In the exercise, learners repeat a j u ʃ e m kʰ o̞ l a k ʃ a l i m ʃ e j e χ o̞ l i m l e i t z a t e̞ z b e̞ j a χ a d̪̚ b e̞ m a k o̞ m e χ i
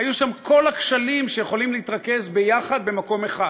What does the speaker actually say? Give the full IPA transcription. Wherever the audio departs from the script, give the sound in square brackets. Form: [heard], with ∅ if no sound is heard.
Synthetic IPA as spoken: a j u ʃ [a] m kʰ o̞ l a k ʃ a l i m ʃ e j e χ o̞ l i m l e i t [ʁ] a [k] e̞ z b e̞ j a χ a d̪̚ b e̞ m a k o̞ m e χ [a]